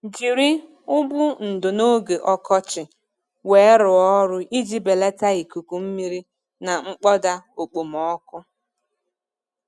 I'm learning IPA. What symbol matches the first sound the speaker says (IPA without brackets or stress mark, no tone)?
d͡ʒ